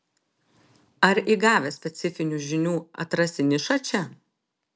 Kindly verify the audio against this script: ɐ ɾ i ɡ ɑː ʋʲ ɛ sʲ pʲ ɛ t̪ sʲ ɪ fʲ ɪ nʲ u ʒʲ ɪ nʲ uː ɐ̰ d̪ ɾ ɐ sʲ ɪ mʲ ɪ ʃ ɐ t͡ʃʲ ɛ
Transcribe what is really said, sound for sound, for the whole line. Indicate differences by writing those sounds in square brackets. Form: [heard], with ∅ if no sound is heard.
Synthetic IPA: ɐ ɾ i ɡ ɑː ʋʲ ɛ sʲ pʲ ɛ t̪ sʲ ɪ fʲ ɪ nʲ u ʒʲ ɪ nʲ uː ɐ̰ [t̪] ɾ ɐ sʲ ɪ [nʲ] ɪ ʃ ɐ t͡ʃʲ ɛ